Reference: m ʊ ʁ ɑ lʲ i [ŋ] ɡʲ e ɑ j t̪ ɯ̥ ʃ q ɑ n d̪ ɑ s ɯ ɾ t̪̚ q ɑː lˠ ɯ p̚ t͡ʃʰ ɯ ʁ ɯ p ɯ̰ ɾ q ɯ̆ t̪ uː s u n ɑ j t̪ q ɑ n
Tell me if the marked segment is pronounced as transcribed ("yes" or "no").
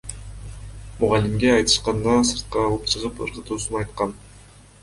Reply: no